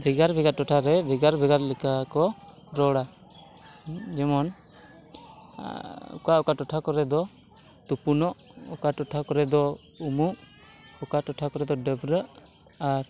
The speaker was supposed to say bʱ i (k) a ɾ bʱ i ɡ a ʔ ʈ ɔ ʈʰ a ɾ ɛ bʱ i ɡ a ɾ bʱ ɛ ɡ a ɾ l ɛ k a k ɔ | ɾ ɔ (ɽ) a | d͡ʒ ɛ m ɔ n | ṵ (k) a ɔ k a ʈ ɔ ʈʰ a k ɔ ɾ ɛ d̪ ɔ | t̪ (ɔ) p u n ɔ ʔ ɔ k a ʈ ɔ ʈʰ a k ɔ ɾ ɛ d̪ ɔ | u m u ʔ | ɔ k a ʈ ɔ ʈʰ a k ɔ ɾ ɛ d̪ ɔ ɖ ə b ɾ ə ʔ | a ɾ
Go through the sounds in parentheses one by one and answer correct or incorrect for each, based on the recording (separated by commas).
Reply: incorrect, correct, correct, incorrect